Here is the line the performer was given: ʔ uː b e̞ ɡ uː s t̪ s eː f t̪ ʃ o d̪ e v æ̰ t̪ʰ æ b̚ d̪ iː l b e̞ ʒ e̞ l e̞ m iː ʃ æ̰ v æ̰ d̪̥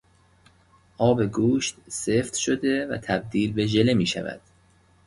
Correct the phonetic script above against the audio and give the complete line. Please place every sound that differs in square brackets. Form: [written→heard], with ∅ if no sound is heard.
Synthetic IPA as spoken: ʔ [uː→ɒː] b e̞ ɡ uː [s→ʃ] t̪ s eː f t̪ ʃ o d̪ e v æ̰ t̪ʰ æ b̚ d̪ iː l b e̞ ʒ e̞ l e̞ m iː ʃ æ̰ v æ̰ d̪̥